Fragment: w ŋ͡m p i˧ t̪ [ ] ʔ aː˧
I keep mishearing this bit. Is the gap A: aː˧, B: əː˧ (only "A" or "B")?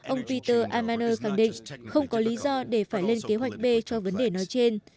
B